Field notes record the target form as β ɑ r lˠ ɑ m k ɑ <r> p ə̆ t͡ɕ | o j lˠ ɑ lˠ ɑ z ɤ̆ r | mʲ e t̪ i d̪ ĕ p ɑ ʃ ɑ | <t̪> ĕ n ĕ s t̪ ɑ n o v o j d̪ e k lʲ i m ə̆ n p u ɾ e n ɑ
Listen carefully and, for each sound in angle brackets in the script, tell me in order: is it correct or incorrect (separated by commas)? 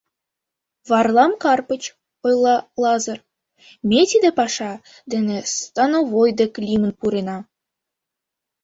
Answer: correct, incorrect